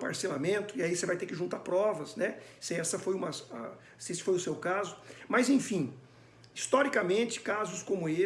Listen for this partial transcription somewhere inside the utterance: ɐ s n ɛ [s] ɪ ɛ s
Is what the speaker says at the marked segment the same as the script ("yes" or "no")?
yes